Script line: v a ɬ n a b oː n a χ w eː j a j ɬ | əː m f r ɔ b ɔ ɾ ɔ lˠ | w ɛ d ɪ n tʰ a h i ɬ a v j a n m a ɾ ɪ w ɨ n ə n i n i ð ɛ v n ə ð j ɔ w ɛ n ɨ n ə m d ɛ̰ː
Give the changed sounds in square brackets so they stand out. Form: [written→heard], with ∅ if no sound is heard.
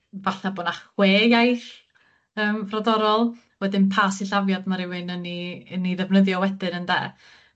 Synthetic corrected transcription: v a ɬ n a b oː n a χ w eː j a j ɬ | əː m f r ɔ [b→d] ɔ ɾ ɔ lˠ | w ɛ d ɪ n [tʰ→pʰ] a [h→s] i ɬ a v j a [n→d] m a ɾ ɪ w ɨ n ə n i n i ð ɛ v n ə ð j ɔ w ɛ [n→d] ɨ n ə [m→n] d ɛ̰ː